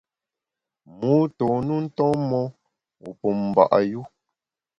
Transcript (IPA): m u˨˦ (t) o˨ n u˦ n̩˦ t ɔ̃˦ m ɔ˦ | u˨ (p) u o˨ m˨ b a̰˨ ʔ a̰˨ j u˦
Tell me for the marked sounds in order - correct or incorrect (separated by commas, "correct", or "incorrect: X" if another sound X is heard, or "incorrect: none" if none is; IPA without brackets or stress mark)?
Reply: correct, correct